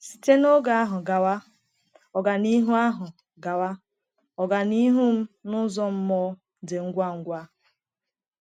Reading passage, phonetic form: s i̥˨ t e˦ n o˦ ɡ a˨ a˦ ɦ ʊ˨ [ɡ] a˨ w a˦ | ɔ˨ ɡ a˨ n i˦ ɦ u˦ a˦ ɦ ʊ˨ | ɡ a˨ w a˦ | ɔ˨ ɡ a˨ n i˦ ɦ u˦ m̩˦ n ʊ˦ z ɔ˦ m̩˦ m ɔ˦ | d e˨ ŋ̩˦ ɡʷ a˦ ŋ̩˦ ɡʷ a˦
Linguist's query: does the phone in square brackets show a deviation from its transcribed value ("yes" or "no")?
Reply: no